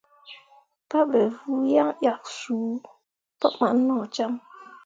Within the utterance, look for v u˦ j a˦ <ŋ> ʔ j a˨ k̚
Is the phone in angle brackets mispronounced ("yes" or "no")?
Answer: no